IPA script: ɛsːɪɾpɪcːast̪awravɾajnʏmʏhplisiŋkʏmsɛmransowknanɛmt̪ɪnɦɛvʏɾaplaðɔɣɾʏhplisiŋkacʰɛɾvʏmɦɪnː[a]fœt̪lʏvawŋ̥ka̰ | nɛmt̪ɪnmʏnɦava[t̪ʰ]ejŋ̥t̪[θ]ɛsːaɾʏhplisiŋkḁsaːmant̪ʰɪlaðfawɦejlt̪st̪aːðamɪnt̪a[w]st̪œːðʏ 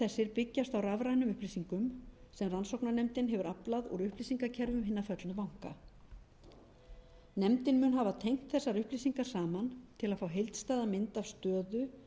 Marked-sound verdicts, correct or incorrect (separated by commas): correct, correct, correct, incorrect